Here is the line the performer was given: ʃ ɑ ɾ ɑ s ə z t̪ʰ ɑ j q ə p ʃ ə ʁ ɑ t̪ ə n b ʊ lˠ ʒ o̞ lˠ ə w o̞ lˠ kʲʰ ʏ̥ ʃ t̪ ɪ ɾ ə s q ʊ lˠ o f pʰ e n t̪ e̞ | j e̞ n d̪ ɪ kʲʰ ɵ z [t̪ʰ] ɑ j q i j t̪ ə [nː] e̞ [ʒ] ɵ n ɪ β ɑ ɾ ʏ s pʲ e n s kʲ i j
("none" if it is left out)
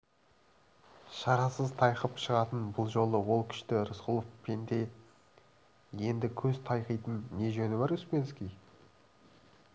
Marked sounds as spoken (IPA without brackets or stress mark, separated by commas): t̪ʰ, nː, ʒ